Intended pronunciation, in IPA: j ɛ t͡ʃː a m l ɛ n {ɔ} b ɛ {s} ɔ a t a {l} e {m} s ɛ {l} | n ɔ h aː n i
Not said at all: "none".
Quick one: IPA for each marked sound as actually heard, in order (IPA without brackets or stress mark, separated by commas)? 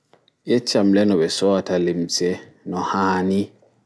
ɔ, s, l, m, none